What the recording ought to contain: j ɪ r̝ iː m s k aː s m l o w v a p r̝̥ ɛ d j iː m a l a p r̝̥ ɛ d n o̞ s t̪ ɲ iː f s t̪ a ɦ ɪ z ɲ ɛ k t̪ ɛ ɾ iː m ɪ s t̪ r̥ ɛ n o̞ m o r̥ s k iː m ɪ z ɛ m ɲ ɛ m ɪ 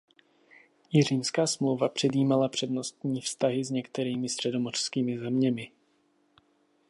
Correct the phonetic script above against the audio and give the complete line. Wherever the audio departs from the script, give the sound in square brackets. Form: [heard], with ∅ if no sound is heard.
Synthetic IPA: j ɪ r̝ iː m s k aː s m l o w v a p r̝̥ ɛ d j iː m a l a p r̝̥ ɛ d n o̞ s t̪ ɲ iː f s t̪ a ɦ ɪ z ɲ ɛ k t̪ ɛ ɾ iː m ɪ s t̪ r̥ ɛ [d] o̞ m o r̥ s k iː m ɪ z ɛ m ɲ ɛ m ɪ